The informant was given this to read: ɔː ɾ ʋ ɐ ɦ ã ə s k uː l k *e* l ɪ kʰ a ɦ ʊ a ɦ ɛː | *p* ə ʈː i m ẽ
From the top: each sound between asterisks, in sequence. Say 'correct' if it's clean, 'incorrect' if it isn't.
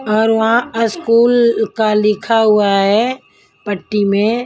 incorrect: a, correct

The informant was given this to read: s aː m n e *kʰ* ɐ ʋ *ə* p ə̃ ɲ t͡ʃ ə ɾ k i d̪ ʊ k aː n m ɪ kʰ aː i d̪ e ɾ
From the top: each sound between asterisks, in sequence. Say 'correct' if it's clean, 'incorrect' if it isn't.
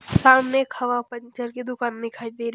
correct, incorrect: a

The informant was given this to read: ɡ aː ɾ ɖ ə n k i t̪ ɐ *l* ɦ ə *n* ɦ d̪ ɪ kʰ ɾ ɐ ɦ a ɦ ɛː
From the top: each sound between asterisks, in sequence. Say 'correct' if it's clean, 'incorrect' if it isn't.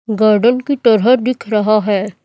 incorrect: ɾ, incorrect: none

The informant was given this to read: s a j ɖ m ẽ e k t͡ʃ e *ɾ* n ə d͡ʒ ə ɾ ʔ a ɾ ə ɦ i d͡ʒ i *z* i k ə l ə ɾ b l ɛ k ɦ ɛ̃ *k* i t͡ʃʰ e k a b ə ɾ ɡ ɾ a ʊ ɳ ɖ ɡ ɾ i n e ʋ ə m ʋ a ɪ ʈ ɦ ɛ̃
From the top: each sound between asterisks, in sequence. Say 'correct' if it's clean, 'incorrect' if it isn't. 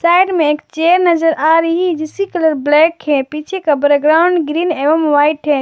correct, incorrect: s, incorrect: p

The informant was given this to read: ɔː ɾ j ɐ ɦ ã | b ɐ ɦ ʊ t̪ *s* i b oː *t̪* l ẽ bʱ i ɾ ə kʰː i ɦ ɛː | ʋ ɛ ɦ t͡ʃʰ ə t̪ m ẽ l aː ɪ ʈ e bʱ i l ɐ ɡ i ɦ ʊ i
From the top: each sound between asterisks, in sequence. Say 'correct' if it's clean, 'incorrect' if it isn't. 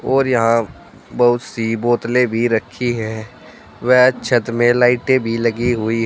correct, correct

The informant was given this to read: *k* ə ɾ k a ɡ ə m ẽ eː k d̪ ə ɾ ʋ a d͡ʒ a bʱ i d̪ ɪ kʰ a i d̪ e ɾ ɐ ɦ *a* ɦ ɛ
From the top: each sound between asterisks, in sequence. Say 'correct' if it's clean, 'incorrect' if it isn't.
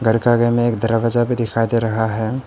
incorrect: ɡ, correct

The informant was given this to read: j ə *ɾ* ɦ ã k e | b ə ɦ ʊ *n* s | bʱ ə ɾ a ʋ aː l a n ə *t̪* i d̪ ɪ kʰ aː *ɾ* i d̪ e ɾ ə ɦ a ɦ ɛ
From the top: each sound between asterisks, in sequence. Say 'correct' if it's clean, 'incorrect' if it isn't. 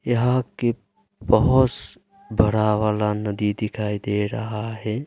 incorrect: none, incorrect: none, incorrect: d̪, incorrect: none

